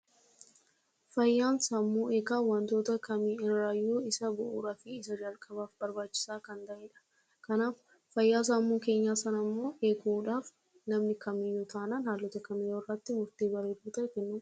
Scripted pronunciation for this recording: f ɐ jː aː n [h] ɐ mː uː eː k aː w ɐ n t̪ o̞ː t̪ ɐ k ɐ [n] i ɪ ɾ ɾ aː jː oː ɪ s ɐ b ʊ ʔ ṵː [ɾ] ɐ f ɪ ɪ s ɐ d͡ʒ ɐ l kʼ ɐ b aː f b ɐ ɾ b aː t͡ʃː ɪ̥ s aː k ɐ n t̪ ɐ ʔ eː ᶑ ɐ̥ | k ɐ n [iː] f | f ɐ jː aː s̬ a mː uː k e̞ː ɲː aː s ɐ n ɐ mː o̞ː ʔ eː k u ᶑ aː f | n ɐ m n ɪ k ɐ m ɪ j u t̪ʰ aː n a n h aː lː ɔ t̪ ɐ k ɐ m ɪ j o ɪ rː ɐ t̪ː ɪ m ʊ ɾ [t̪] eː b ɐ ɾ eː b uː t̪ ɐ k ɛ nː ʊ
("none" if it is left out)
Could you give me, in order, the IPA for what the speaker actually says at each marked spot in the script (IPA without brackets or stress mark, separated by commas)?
s, m, ɾ, aː, t̪